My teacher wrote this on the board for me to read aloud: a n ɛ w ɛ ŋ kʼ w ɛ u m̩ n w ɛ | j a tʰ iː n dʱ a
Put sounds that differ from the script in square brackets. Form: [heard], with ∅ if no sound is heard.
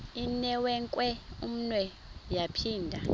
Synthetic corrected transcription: [i] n ɛ w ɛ ŋ kʼ w ɛ u m̩ n w ɛ | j a [pʰ] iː n dʱ a

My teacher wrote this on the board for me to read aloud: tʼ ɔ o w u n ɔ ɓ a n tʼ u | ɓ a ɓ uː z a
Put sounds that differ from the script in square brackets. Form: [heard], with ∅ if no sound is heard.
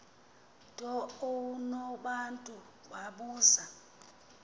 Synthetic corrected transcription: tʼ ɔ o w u n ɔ ɓ a n tʼ u | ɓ a ɓ uː z a

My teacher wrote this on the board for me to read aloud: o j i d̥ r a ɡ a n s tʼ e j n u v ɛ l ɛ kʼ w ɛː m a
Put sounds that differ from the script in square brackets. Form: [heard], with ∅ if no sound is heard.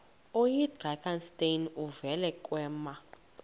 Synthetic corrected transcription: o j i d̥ r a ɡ a n s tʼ e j n u v ɛ l ɛ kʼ w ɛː m a

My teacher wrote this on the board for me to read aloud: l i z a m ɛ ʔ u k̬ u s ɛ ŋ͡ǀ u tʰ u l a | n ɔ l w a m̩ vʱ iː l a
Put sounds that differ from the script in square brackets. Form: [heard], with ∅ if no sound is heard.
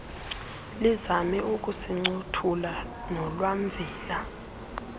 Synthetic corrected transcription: l i z a m ɛ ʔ u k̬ u s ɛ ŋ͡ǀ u tʰ u l a | n ɔ l w a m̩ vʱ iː l a

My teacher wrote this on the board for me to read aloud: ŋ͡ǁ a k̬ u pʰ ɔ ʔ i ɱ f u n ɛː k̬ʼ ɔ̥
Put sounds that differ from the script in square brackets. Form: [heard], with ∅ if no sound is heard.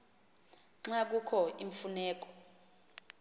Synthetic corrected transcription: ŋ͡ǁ a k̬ u [kʰ] ɔ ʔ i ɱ f u n ɛː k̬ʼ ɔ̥

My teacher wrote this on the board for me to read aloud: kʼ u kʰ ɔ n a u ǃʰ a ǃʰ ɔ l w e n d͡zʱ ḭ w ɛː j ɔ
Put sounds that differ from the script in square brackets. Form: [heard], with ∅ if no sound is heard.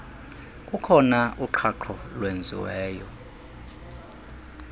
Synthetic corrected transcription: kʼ u kʰ ɔ n a u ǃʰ a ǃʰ ɔ l w e n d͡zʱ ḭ w ɛː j ɔ

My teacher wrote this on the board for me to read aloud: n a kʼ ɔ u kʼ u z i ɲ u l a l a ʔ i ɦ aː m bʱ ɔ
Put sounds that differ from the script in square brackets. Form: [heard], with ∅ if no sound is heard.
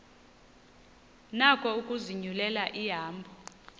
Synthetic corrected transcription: n a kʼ ɔ u kʼ u z i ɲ u l [ɛ] l a ʔ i ɦ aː m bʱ ɔ

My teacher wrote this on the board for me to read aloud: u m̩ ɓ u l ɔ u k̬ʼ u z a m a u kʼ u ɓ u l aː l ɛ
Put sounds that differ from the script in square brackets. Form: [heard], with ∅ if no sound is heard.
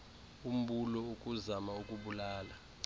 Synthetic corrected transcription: u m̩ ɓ u l ɔ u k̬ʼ u z a m a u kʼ u ɓ u l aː l [a]

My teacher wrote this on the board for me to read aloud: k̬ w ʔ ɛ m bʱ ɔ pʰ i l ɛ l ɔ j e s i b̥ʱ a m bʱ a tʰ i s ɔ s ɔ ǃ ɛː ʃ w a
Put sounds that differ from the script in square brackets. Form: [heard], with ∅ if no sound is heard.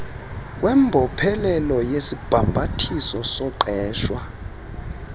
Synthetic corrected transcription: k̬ w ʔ ɛ m bʱ ɔ pʰ [ɛ] l ɛ l ɔ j e s i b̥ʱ a m bʱ a tʰ i s ɔ s ɔ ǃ ɛː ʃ w a

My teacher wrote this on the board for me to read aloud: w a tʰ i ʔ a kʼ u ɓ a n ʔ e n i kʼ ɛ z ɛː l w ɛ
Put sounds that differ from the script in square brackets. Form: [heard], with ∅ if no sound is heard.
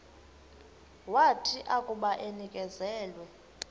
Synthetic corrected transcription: w a tʰ i ʔ a kʼ u ɓ a [∅] ʔ e n i kʼ ɛ z ɛː l w ɛ

